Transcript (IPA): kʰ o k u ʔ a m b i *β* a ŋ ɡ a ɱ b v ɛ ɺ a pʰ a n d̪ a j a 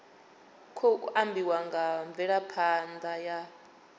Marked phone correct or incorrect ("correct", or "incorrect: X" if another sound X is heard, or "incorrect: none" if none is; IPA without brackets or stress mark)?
incorrect: w